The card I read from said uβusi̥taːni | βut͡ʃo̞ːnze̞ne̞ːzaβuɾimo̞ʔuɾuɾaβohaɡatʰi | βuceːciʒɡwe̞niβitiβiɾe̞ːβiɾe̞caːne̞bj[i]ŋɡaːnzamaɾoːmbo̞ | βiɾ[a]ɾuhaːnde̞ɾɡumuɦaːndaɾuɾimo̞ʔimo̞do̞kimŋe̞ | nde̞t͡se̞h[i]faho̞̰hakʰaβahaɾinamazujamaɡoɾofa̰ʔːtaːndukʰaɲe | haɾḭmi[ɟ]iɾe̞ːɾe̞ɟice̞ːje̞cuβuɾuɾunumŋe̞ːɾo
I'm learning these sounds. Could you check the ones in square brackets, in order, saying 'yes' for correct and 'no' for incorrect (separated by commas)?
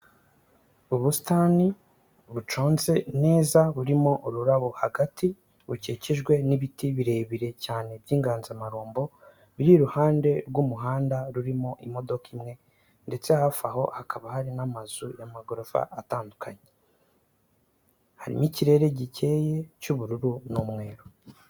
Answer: no, no, no, no